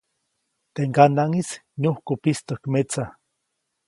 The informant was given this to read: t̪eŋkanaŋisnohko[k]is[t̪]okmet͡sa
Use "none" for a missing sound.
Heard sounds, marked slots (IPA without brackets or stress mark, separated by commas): p, t̪